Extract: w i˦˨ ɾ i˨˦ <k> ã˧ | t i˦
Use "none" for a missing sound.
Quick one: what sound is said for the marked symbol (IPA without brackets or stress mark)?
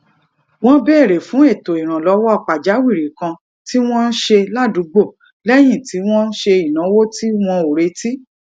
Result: k